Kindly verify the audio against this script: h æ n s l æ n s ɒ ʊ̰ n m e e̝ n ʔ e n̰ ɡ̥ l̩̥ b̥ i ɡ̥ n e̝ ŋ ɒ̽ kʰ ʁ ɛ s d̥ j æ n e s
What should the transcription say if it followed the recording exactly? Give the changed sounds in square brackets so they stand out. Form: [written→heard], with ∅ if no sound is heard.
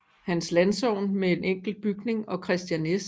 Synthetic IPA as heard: h æ n s l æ n s ɒ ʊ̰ n m e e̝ n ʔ e [n̰→ŋ̰] ɡ̥ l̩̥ b̥ [i→y] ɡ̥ n e̝ ŋ ɒ̽ kʰ ʁ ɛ s d̥ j æ n e s